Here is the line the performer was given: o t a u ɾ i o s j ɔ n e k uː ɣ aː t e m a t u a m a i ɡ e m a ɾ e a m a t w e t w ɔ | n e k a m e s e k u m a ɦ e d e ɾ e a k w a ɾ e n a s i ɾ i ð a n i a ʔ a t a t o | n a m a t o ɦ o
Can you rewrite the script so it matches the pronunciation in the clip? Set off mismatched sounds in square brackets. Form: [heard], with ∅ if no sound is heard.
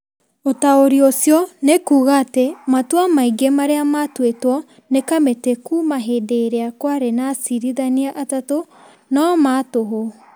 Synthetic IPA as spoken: o t a [o] ɾ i o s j ɔ n e k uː ɣ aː t e m a t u a m a i ɡ e m a ɾ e a m a t w e t w ɔ | n e k a m e [t] e k u m a ɦ e d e ɾ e a k w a ɾ e n a s i ɾ i ð a n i a ʔ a t a t o | n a m a t o ɦ o